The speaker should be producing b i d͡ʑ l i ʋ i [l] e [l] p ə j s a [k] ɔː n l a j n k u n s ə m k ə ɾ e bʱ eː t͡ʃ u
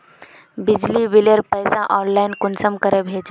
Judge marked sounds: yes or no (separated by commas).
yes, no, no